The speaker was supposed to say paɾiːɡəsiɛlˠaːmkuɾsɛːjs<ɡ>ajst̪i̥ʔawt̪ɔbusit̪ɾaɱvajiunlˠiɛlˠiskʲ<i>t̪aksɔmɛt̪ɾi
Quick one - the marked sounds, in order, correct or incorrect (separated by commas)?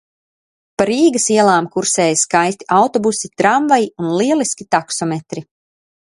incorrect, correct